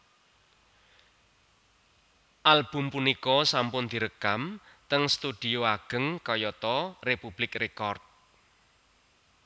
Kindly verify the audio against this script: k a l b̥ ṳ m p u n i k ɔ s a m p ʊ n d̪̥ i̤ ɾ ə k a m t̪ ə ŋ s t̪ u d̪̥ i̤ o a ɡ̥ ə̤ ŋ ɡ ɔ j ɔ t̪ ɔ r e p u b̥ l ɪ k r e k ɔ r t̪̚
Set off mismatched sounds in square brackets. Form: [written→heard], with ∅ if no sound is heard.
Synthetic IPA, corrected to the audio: [k→ʔ] a l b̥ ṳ m p u n i k ɔ s a m p ʊ n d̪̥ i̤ ɾ ə k a m t̪ ə ŋ s t̪ u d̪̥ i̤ o a ɡ̥ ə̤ ŋ [ɡ→k] ɔ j ɔ t̪ ɔ r e p u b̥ l ɪ k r e k ɔ r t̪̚